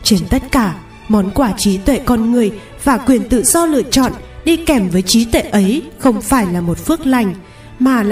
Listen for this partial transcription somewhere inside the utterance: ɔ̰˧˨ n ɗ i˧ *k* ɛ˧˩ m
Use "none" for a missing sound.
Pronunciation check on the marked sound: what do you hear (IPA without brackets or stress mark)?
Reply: k